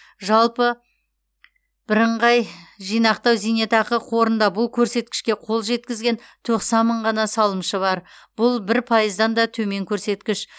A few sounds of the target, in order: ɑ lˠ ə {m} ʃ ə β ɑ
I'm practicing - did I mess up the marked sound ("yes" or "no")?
no